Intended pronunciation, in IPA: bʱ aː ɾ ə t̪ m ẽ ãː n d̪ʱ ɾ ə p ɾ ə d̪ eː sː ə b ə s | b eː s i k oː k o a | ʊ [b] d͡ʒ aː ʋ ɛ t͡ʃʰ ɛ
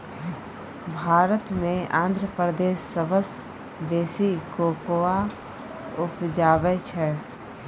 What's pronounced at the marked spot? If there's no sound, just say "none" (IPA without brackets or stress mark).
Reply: p